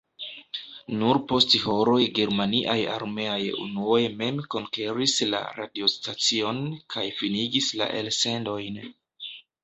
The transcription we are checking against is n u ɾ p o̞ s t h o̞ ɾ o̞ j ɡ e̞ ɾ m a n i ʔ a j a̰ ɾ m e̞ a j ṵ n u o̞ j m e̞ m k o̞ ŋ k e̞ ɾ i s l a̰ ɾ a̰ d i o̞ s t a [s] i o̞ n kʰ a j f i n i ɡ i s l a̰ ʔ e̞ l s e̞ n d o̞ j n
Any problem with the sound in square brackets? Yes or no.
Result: yes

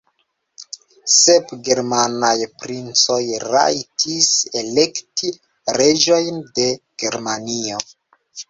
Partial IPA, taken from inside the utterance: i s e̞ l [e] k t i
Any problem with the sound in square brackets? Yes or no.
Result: no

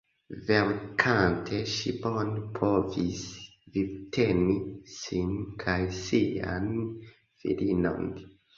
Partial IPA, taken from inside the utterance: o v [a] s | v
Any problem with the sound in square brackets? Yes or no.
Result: yes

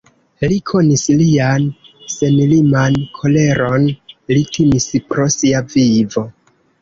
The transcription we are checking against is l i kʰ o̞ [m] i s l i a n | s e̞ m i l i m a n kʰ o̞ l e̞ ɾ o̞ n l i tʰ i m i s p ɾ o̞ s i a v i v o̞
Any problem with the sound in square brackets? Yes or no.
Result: yes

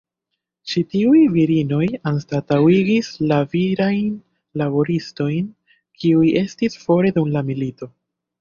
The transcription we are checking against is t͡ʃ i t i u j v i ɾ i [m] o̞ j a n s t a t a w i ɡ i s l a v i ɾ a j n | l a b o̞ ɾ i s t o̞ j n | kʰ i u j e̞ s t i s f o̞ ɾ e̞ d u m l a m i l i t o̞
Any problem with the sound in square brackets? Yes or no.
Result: yes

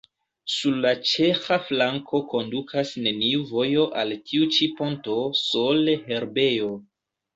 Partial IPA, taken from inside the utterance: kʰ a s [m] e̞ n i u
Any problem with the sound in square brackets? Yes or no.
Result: yes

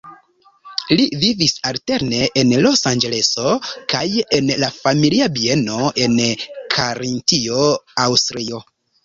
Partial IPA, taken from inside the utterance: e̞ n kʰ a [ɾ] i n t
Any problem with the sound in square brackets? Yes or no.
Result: no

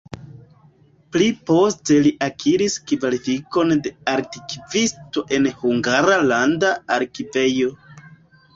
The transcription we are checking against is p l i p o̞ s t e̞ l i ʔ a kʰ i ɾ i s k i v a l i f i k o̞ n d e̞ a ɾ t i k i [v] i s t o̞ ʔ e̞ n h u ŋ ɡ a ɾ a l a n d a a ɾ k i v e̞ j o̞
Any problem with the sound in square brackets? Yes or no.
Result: no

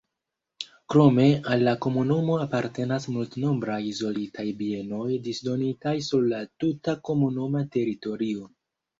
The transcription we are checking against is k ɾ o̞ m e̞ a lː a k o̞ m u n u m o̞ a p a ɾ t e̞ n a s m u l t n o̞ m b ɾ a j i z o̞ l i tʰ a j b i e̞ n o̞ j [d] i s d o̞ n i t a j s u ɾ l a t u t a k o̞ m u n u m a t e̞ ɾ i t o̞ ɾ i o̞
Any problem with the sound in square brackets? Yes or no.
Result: no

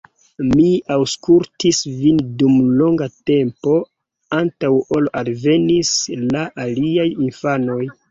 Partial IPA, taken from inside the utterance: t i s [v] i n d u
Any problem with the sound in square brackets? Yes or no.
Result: no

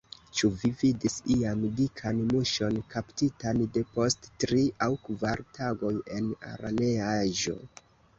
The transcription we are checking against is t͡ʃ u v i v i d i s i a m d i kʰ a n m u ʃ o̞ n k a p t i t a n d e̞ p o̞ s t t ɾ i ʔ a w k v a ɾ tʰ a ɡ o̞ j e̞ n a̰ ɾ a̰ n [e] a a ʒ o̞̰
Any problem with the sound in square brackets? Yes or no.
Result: no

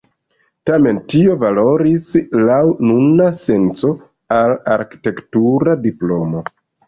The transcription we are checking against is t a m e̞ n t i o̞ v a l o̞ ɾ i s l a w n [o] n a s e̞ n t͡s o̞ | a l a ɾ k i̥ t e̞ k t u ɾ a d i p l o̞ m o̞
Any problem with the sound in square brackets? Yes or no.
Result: yes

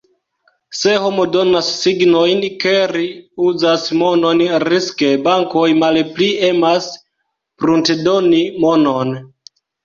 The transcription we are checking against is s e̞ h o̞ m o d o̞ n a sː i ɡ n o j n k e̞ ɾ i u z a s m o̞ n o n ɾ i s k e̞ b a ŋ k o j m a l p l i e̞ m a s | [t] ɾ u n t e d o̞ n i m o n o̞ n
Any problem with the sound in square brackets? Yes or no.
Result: yes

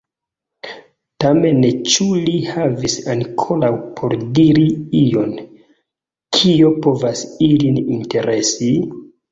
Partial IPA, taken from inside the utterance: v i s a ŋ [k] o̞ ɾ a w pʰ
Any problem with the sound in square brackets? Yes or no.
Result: yes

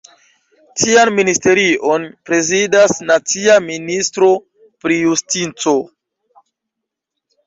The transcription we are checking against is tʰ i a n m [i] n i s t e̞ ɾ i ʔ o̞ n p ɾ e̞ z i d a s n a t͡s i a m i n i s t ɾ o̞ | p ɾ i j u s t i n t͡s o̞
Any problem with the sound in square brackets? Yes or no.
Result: no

